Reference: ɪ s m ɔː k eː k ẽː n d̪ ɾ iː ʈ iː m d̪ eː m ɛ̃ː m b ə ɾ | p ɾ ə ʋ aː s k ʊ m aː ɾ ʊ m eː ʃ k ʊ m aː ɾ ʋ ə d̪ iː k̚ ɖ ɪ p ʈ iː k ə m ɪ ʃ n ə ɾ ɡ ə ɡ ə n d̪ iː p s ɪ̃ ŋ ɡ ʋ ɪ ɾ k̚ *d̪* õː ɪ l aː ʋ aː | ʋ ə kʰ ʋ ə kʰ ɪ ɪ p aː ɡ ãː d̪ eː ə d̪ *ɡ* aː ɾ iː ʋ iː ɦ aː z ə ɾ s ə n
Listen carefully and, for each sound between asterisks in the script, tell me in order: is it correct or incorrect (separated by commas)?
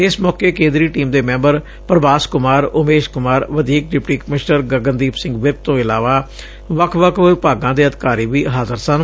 incorrect, incorrect